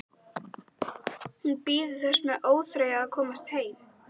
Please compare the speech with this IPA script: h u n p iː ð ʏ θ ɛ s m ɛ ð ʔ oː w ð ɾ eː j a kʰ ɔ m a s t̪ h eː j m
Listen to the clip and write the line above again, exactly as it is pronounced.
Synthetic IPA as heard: h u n p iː ð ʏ θ ɛ s m ɛ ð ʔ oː w θ ɾ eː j a kʰ ɔː m a s t̪ h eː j m